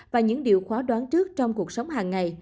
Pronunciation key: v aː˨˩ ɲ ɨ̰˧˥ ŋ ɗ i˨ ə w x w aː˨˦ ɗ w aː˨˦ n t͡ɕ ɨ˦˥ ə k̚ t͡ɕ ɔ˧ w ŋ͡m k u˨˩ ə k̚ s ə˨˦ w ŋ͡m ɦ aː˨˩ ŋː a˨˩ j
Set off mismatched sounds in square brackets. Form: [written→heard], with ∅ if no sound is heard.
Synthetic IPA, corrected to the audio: v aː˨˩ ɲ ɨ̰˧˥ ŋ ɗ i˨ ə w x w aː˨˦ ɗ w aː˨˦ n t͡ɕ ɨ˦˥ ə k̚ t͡ɕ ɔ˧ w ŋ͡m k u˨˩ ə k̚ s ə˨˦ w ŋ͡m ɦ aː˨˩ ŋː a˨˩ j